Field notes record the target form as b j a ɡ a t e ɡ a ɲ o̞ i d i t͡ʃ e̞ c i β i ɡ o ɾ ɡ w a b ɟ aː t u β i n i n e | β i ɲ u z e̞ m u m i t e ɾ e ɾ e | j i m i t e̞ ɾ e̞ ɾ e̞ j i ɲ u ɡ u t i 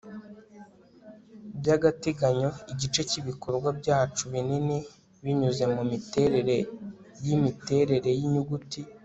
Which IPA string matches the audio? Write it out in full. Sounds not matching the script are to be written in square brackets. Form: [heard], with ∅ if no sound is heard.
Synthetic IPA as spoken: b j a ɡ a t e ɡ a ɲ o̞ i [ɟ] i t͡ʃ e̞ c i β i [k] o ɾ ɡ w a b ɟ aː [t͡ʃ] u β i n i n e | β i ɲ u z e̞ m u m i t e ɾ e ɾ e | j i m i t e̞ ɾ e̞ ɾ e̞ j i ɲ u ɡ u t i